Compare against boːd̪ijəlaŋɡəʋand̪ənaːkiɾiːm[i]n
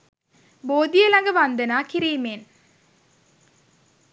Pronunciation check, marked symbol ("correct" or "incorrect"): incorrect